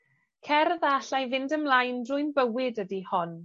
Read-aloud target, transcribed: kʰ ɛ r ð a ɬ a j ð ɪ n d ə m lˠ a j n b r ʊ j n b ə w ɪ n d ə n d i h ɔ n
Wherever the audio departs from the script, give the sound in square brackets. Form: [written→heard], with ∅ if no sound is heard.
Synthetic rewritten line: kʰ ɛ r ð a ɬ a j [ð→v] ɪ n d ə m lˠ a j n [b→d] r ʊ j n b ə w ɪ [n→∅] d ə [n→∅] d i h ɔ n